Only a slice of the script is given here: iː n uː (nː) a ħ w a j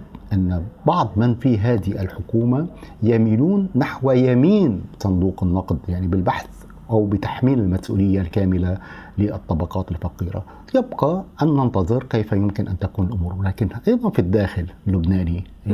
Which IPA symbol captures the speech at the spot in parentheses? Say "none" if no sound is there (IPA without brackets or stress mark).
nː